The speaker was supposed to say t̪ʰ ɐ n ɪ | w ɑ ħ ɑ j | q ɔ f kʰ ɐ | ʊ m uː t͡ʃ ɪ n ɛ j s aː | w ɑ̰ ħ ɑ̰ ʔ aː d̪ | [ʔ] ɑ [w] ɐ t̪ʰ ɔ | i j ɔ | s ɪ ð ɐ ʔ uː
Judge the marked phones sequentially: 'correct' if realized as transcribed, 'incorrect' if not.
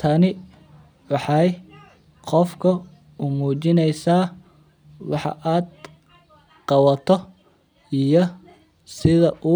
incorrect: q, correct

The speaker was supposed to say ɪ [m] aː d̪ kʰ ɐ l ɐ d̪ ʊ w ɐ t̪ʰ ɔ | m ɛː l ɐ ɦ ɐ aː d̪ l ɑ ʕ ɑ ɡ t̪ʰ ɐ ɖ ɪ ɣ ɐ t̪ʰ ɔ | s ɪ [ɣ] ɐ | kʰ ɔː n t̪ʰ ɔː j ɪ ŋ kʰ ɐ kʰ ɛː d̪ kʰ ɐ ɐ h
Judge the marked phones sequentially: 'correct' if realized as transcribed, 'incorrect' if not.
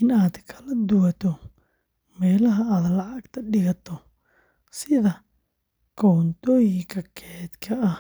incorrect: n, incorrect: ð

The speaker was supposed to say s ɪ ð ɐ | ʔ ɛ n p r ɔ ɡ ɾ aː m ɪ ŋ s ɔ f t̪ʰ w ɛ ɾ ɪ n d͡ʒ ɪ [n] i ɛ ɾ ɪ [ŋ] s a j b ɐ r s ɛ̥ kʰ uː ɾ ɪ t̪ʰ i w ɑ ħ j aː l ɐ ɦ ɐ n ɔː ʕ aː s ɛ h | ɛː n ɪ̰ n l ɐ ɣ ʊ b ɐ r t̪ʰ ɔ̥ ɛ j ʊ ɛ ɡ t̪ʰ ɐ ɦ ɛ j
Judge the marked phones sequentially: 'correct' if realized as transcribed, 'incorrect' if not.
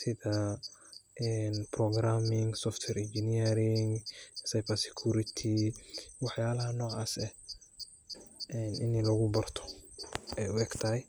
correct, correct

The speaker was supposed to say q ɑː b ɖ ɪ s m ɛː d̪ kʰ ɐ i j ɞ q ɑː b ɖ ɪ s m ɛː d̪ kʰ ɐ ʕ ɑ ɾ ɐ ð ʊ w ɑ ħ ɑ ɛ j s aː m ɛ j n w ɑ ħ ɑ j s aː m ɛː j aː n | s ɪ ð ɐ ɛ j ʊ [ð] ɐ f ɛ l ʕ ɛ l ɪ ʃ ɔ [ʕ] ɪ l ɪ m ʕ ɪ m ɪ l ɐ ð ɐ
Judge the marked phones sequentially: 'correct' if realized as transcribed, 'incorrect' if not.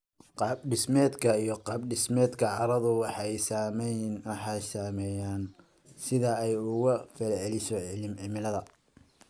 incorrect: ɣ, correct

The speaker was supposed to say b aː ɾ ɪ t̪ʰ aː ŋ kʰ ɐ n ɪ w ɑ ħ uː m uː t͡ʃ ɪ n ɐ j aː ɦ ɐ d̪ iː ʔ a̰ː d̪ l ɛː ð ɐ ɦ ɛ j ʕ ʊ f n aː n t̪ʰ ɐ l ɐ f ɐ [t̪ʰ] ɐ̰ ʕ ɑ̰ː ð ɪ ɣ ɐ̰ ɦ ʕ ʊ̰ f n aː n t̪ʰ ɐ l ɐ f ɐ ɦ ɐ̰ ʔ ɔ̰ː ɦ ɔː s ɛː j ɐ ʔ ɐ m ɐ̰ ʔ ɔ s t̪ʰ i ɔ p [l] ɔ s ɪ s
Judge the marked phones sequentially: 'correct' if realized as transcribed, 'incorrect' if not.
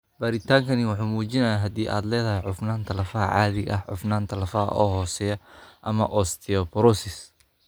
incorrect: none, incorrect: ɾ

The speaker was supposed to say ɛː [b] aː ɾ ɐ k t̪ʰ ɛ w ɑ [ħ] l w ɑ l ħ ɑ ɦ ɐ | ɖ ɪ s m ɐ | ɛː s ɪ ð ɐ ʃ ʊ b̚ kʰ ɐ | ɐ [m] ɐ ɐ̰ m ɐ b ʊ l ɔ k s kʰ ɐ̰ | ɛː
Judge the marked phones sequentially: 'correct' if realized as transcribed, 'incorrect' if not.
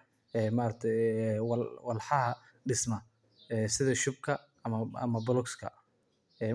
incorrect: m, incorrect: none, correct

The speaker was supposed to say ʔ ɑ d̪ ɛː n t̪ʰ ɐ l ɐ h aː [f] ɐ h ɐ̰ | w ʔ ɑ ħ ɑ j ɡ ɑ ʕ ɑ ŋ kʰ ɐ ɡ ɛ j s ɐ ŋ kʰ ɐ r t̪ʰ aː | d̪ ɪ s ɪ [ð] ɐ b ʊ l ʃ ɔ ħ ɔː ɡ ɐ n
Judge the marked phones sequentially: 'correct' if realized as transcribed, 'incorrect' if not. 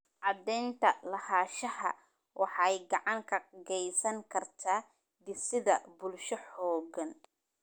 incorrect: ʃ, correct

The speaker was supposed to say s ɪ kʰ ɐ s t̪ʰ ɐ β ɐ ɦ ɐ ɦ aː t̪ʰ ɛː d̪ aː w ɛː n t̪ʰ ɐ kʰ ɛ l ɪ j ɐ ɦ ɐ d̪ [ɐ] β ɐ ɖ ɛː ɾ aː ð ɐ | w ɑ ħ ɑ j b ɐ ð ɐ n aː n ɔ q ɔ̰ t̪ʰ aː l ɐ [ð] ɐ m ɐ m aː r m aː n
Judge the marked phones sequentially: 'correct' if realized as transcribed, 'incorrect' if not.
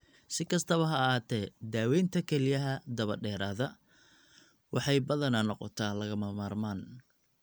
correct, incorrect: ɣ

